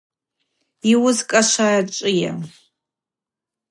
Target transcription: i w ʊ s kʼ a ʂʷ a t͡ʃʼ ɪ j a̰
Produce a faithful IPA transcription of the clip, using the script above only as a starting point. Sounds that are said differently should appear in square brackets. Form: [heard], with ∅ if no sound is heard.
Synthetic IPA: i w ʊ [z] kʼ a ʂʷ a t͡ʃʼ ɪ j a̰